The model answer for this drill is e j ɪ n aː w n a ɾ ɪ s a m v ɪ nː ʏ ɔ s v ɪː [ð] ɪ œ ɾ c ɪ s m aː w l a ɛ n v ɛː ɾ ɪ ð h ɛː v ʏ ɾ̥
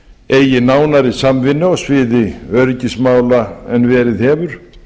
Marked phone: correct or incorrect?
correct